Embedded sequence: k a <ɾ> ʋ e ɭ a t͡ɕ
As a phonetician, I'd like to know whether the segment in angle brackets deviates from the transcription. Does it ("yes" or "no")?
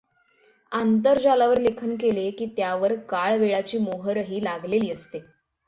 yes